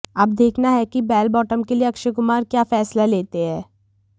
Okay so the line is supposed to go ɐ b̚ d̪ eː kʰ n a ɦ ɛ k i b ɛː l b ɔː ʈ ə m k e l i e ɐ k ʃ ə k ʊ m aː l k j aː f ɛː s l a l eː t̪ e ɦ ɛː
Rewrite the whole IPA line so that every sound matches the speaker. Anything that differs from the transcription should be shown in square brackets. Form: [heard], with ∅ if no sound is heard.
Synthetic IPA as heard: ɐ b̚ d̪ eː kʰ n a ɦ ɛ k i b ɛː l b ɔː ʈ ə m k e l i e ɐ k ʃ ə k ʊ m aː [ɾ] k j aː f ɛː s l a l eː t̪ e ɦ ɛː